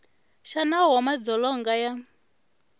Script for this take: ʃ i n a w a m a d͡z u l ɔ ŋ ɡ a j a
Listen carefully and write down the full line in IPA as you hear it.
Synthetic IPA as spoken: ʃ a n a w a m a d͡z ɔ l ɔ ŋ ɡ a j a